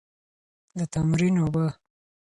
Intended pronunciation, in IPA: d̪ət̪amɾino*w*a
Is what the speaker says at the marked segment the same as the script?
no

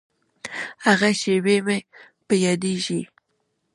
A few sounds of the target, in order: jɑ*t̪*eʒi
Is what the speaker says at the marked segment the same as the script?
no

